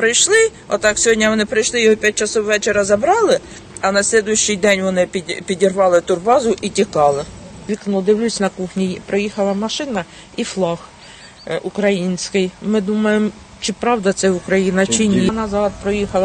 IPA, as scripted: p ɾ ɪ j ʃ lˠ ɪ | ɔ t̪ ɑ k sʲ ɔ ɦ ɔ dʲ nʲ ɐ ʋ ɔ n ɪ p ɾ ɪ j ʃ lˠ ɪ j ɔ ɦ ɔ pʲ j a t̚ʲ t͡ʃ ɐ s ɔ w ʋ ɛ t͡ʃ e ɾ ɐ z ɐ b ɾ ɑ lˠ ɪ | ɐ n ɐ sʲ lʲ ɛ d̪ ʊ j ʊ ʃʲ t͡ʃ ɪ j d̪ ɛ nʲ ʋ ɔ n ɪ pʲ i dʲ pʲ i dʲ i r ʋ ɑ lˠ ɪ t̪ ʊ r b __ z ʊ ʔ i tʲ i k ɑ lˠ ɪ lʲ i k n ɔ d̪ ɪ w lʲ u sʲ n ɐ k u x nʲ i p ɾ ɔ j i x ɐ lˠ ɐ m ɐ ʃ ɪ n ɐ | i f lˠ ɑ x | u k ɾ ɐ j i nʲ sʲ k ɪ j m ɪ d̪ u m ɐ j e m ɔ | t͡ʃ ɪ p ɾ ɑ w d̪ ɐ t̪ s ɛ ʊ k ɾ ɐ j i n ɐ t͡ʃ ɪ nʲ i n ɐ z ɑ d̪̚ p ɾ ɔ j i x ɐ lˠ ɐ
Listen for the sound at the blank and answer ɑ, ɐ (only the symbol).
ɑ